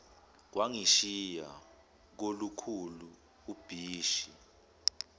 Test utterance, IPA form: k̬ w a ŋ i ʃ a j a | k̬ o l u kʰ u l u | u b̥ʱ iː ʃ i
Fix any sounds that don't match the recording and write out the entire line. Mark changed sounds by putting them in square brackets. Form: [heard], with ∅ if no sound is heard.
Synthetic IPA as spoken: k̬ w a ŋ i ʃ [i] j a | k̬ o l u kʰ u l u | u b̥ʱ iː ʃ i